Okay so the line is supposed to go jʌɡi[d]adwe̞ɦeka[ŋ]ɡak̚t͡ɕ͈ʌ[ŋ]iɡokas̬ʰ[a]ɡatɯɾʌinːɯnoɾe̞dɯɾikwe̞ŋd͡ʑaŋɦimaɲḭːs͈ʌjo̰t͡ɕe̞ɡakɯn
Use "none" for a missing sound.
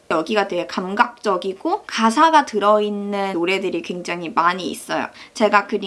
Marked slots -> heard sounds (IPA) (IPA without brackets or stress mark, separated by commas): ɡ, m, ɡ, a